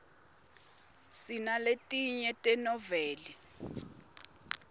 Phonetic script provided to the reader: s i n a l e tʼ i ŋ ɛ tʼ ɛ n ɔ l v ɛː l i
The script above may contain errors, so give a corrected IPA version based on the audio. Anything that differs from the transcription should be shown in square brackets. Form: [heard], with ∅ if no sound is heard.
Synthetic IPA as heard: s i n a l e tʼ i [ɲ] ɛ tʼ ɛ n ɔ [∅] v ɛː l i